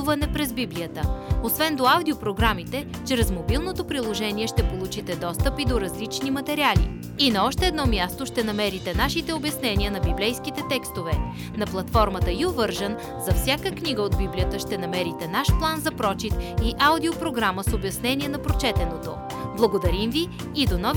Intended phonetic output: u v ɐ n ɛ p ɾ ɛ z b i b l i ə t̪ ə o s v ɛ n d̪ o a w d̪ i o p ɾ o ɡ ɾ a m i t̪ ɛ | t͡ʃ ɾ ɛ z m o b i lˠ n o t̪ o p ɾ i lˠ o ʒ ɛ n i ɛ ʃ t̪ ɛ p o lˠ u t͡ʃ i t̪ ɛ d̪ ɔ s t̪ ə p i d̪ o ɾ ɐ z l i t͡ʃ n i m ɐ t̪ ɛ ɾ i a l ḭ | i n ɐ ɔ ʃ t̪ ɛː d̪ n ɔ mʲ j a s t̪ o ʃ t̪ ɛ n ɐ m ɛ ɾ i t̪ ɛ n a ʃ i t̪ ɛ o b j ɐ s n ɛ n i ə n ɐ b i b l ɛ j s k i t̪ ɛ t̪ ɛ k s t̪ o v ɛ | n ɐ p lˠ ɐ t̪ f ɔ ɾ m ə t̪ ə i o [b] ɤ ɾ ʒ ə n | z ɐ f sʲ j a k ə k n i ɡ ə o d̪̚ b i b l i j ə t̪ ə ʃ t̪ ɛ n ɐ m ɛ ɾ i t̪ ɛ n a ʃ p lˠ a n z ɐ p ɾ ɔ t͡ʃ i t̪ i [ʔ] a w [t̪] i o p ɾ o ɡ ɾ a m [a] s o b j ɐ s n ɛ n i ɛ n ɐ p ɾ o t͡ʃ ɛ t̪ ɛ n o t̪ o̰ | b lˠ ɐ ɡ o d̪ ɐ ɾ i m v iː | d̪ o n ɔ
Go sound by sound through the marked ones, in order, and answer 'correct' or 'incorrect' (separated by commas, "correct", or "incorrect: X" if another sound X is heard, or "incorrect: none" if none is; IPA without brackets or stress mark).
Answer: incorrect: v, correct, incorrect: d̪, incorrect: ə